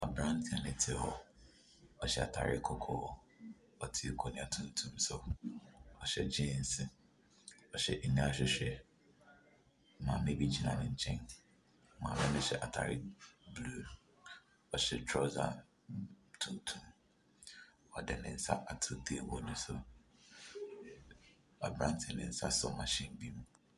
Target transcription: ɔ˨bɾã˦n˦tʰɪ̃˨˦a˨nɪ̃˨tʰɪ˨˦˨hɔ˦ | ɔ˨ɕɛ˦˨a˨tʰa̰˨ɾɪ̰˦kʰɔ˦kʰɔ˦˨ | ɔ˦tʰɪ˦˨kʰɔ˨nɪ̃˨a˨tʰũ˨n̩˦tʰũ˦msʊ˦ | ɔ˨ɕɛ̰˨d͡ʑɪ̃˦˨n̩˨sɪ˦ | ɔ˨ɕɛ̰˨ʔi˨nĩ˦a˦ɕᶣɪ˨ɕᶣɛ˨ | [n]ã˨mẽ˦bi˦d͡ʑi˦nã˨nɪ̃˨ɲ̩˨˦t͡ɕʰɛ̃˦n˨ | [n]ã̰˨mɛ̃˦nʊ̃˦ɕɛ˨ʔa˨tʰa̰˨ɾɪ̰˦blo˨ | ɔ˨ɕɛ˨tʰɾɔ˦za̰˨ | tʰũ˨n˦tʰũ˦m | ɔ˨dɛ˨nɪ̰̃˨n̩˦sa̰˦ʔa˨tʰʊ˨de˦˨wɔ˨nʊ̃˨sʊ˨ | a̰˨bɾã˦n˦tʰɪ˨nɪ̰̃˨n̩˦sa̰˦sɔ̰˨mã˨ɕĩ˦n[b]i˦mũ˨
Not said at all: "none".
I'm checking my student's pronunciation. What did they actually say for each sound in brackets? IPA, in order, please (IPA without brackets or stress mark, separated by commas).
m, m, b